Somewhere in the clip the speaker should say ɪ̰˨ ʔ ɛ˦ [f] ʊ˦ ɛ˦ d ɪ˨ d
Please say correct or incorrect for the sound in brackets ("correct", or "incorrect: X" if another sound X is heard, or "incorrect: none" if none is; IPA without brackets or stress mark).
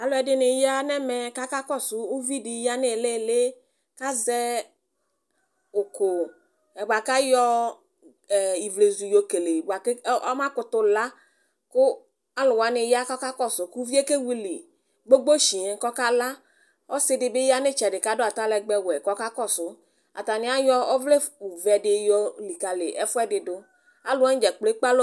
correct